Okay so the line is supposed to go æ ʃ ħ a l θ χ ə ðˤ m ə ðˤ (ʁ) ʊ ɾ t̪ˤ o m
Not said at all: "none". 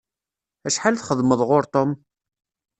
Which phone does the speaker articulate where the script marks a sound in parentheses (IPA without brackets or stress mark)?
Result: ʁ